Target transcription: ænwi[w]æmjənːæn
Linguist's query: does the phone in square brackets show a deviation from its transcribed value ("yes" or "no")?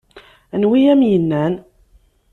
yes